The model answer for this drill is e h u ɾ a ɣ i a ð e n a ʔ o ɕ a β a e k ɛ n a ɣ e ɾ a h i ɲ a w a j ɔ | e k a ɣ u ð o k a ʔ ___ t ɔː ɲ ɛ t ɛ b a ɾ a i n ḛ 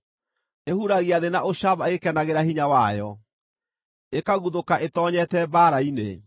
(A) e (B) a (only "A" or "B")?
A